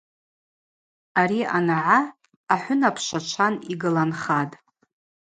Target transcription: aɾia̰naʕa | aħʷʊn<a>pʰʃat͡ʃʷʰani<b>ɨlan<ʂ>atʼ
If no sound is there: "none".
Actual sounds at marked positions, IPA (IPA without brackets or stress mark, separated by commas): a, ɡ, χ